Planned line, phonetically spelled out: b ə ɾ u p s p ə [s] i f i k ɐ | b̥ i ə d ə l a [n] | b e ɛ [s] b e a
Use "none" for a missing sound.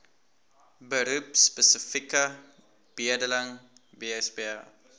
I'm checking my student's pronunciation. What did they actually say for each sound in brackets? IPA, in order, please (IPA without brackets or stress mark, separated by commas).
s, ŋ, s